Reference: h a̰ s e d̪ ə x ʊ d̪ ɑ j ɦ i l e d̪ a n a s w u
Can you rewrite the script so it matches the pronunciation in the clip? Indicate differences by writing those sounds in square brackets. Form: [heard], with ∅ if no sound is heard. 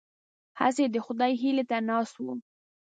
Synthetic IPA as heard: h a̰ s e d̪ ə x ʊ d̪ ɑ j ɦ i l e [t̪] a n [ɑ] s w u